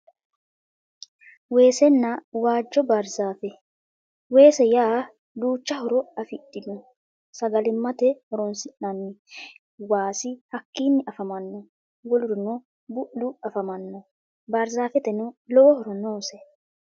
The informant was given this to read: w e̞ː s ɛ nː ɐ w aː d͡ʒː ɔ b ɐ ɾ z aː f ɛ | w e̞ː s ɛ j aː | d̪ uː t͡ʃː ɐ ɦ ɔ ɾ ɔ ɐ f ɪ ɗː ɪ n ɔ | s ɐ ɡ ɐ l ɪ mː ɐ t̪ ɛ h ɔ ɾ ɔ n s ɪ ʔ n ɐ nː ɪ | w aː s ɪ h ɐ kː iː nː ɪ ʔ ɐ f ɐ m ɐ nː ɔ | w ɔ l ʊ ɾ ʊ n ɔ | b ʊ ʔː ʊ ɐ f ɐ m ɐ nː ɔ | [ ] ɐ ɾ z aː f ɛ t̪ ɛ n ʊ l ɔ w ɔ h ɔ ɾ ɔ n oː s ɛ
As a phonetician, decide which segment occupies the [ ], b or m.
b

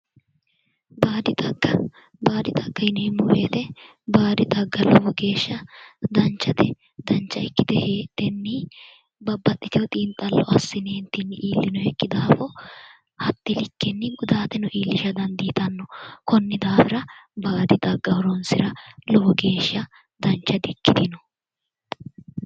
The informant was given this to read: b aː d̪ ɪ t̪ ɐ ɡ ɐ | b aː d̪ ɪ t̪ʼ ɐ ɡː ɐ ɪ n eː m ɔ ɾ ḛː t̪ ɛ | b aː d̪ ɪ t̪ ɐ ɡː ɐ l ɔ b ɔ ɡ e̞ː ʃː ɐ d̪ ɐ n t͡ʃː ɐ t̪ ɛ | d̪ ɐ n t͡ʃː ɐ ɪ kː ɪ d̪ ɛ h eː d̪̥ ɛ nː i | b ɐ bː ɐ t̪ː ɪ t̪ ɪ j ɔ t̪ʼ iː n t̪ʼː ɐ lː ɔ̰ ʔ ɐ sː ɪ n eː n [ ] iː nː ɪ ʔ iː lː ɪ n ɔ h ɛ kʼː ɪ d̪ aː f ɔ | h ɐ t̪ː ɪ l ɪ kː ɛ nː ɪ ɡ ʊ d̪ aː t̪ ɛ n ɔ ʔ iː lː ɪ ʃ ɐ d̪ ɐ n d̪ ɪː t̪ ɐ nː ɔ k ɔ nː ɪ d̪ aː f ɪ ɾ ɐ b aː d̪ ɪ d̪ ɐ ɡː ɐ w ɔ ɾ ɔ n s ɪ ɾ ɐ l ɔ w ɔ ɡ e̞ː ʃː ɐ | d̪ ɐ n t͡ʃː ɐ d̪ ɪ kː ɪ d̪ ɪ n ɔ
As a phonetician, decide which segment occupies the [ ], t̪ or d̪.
t̪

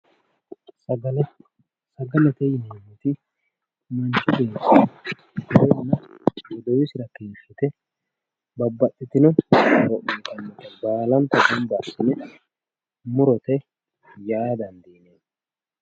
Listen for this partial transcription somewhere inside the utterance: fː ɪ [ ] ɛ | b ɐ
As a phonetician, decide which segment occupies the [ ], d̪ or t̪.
t̪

